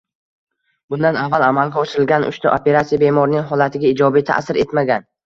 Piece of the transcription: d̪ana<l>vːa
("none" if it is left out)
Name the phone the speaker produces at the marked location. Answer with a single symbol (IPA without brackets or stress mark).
none